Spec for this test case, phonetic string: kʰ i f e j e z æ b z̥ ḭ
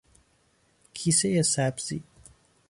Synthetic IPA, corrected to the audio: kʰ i s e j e s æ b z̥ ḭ